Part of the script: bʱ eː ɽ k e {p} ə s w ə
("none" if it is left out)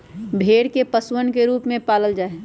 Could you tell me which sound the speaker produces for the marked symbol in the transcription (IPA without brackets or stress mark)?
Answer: p